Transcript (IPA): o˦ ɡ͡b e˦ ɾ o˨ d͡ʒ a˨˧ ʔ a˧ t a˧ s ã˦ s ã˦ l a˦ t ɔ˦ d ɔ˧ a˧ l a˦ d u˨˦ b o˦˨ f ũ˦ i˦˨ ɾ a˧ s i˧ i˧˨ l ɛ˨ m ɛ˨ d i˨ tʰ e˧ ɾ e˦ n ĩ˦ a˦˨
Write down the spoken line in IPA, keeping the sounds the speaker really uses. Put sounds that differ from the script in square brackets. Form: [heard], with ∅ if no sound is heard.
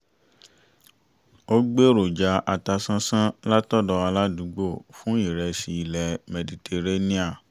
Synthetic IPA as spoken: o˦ ɡ͡b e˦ ɾ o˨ d͡ʒ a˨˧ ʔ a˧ t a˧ s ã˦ s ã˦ l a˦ t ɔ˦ d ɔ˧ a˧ l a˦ d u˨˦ [ɡ͡b] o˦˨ f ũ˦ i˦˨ ɾ [ɛ˧] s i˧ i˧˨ l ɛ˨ m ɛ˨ d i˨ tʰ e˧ ɾ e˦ n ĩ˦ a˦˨